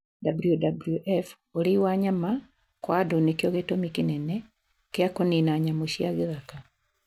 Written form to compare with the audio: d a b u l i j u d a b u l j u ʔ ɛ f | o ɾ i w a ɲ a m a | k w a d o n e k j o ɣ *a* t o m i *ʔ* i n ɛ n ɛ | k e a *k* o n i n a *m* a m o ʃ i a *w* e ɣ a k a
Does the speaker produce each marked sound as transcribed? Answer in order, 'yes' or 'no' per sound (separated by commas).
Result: no, no, yes, no, no